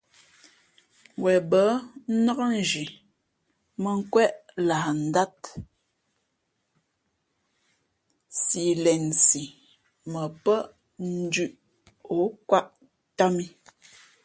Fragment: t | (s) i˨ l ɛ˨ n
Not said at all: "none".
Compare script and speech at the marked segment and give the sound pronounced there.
s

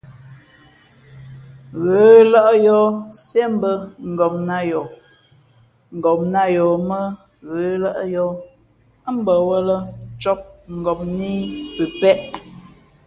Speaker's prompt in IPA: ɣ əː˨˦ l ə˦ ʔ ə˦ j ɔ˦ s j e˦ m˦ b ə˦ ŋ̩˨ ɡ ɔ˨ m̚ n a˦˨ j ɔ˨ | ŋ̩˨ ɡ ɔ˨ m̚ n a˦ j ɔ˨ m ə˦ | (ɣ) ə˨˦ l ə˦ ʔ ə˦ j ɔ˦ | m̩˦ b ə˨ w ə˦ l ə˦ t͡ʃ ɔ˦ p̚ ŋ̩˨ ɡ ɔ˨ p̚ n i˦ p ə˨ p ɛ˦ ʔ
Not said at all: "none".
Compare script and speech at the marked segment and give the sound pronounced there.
ɣ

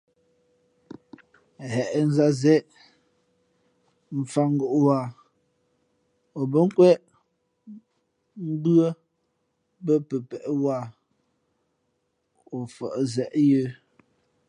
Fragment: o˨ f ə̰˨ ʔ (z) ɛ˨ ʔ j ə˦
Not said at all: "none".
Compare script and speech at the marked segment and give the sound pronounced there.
z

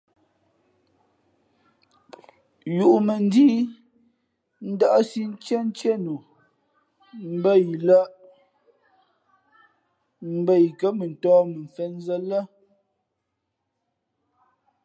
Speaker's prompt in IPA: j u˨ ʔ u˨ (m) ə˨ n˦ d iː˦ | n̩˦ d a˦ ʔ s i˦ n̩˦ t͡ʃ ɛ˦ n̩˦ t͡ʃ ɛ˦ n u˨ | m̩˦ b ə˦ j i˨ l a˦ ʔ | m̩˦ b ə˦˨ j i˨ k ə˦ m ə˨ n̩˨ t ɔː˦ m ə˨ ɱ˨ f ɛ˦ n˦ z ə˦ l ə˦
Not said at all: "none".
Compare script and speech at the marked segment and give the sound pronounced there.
m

